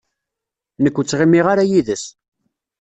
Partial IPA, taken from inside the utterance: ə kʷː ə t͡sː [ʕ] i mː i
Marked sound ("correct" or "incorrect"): incorrect